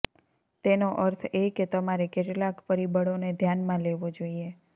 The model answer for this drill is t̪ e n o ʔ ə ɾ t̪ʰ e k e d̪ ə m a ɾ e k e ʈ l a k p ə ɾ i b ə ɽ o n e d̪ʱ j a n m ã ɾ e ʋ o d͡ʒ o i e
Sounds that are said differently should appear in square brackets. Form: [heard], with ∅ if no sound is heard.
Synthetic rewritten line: t̪ e n o ʔ ə ɾ t̪ʰ e k e [t̪] ə m a ɾ e k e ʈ l a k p ə ɾ i b ə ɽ o n e d̪ʱ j a n m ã [l] e ʋ o d͡ʒ o i e